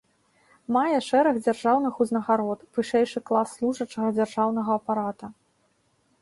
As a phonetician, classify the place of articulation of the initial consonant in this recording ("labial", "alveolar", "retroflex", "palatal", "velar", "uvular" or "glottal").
labial